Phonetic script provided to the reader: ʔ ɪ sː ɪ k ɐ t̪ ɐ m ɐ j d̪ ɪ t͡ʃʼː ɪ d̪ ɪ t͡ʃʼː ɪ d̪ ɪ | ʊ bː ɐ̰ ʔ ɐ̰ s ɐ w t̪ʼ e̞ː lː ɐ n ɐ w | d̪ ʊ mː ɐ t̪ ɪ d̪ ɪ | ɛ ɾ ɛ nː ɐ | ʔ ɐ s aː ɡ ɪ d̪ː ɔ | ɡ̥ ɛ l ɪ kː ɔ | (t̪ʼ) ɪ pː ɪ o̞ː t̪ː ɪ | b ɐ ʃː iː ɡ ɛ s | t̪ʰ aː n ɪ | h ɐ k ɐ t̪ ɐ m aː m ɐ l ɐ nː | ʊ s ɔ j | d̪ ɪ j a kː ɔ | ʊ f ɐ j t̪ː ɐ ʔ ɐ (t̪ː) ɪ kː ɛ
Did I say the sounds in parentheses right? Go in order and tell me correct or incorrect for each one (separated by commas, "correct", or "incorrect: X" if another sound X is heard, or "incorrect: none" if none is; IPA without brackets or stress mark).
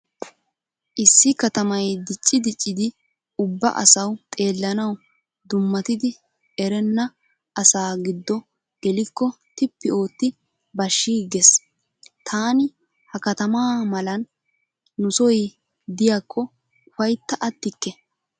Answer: incorrect: t̪, correct